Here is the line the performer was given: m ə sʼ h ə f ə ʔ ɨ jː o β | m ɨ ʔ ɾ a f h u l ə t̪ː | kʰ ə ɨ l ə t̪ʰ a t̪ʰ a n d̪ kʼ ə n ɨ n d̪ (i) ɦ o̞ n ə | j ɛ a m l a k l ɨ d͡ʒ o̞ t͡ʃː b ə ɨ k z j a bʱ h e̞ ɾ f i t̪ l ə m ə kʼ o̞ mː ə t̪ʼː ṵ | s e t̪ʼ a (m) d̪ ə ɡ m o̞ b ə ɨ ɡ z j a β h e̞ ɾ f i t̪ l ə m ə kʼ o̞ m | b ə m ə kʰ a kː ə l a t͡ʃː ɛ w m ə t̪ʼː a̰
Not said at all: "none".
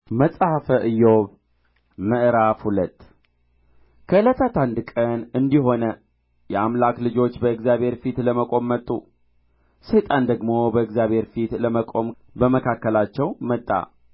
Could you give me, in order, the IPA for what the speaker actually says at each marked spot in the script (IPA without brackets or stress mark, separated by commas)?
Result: i, n